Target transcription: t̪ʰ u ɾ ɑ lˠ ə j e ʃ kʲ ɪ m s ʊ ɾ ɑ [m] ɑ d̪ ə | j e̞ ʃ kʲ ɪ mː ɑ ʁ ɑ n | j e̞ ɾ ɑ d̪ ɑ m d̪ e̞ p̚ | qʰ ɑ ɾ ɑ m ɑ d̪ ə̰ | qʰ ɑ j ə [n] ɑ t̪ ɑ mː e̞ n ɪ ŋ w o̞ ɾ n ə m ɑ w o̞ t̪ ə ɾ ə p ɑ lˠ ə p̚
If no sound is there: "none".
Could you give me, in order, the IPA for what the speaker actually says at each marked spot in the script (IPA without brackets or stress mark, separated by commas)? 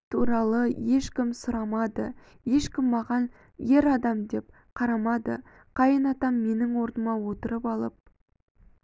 m, n